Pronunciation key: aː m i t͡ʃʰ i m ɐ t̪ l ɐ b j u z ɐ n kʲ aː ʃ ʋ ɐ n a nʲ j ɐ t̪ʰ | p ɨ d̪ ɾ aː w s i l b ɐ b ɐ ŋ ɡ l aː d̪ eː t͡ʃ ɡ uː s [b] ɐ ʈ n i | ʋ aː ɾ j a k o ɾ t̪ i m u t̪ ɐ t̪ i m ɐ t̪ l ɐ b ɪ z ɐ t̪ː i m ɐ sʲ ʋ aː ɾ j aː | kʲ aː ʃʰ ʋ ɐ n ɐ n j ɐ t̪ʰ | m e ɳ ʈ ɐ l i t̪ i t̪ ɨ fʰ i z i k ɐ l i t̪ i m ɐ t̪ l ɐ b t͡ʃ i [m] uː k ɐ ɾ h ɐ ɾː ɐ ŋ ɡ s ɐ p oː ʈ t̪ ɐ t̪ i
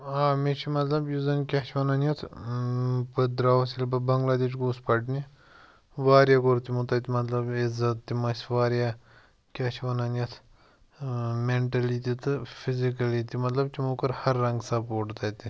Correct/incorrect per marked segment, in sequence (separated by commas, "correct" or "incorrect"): incorrect, correct